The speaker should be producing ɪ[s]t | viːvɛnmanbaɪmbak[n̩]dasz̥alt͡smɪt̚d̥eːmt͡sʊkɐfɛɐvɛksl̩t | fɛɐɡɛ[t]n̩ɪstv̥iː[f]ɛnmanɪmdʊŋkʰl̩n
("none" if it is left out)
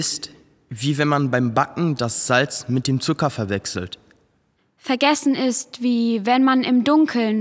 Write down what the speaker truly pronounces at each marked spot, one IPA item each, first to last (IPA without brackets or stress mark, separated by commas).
s, ŋ̩, s, v